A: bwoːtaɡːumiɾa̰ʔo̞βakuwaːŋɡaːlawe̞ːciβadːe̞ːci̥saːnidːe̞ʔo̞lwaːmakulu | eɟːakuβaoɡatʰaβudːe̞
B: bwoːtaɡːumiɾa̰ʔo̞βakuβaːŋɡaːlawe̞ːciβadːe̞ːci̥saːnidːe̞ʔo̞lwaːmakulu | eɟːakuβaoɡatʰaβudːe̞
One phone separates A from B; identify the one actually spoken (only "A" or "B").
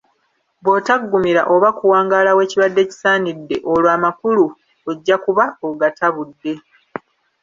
A